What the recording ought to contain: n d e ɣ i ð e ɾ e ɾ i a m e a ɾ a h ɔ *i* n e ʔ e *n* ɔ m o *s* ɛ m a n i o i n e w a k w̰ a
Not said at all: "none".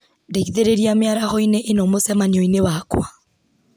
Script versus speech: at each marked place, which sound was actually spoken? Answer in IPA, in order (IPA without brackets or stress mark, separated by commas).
i, n, s